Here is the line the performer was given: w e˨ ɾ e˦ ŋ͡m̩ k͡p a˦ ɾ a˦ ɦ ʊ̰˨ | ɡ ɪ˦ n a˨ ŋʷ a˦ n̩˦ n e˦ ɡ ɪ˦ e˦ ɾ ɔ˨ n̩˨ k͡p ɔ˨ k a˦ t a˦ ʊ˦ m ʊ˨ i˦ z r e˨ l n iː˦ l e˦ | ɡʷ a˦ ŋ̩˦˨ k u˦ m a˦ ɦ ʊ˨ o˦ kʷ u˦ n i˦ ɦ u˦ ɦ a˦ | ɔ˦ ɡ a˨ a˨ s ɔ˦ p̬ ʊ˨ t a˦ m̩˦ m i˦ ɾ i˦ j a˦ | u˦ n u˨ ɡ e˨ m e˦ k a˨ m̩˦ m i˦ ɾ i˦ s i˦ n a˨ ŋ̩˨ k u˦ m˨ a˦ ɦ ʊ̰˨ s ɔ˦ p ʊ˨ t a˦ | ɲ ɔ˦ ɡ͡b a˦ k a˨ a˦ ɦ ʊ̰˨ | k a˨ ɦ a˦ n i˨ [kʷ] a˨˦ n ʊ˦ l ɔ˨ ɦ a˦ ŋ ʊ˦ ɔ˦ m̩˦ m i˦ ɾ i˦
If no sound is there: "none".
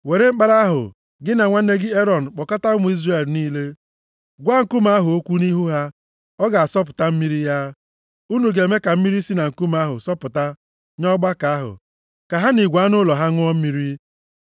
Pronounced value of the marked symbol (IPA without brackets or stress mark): ɡʷ